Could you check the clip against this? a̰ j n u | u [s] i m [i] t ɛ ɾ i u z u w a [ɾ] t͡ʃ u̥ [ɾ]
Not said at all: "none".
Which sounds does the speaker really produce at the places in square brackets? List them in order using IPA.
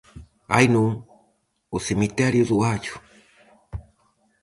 s, i, none, none

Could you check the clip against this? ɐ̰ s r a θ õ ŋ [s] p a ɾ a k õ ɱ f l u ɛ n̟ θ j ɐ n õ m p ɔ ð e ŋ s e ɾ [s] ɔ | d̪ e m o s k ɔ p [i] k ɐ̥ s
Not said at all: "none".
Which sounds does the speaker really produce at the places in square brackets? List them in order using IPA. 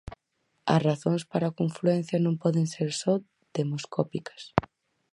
s, s, i

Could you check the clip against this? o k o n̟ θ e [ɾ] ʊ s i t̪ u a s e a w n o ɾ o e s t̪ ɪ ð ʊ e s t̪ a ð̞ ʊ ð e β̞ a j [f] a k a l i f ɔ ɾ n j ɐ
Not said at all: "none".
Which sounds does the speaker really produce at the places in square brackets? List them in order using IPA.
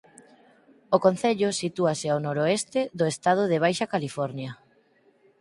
ʎ, ʃ

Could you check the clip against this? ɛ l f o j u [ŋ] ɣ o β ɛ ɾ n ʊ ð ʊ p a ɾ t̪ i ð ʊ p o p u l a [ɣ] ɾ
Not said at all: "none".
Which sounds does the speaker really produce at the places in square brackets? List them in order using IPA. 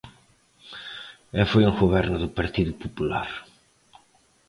ŋ, none

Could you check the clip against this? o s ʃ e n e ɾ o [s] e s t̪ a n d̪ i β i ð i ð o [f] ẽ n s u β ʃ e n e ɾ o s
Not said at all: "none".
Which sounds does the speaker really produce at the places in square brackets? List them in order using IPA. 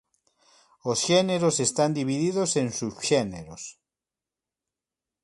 s, s

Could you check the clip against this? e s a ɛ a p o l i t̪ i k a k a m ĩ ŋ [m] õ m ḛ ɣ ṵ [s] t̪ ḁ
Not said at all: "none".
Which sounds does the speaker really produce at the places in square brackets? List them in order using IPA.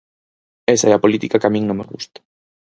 n, s

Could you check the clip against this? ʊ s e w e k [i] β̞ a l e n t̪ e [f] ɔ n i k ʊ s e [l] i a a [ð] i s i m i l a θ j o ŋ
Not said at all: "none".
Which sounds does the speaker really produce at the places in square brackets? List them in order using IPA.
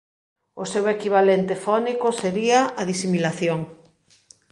i, f, ɾ, ð

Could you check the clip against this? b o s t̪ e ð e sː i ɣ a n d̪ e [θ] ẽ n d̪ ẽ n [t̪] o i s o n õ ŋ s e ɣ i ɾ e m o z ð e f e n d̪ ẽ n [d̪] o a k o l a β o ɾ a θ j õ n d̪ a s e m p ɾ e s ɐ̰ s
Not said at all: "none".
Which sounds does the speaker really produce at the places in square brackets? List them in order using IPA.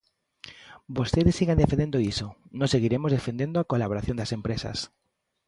f, d̪, d̪

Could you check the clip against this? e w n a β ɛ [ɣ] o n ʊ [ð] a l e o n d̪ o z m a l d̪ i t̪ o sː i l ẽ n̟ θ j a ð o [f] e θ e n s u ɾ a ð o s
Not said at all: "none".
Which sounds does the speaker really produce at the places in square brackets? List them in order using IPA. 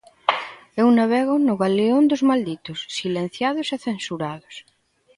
ɣ, ɣ, s

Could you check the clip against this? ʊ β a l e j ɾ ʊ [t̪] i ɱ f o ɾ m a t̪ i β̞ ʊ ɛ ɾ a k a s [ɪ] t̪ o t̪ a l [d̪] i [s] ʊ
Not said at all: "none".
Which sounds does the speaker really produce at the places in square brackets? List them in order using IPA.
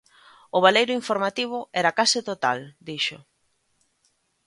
none, ɪ, d̪, ʃ

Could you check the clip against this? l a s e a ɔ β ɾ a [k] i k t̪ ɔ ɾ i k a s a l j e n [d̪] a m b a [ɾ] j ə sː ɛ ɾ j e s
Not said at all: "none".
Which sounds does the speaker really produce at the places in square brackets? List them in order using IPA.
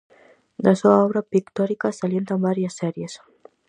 p, t̪, ɾ

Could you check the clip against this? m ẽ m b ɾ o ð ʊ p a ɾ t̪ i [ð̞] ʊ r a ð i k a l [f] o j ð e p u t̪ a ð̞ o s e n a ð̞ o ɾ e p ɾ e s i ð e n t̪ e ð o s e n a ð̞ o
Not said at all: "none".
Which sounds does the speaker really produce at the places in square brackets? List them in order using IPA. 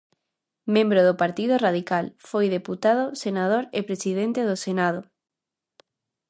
ð̞, f

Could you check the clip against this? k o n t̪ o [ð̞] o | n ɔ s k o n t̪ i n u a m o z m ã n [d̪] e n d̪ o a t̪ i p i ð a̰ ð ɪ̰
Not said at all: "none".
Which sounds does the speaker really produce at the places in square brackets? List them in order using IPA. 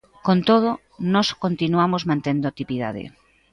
ð̞, t̪

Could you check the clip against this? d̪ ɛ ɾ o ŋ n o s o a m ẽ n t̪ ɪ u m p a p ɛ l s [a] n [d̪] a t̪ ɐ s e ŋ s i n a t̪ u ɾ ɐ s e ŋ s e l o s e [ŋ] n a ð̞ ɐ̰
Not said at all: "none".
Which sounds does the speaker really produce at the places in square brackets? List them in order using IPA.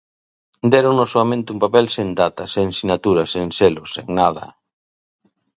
e, d̪, ŋ

